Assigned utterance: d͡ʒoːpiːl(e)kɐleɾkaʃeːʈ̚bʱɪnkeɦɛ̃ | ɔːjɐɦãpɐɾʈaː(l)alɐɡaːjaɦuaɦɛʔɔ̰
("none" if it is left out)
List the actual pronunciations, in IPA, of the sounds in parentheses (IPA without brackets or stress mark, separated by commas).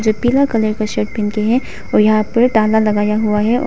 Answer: a, l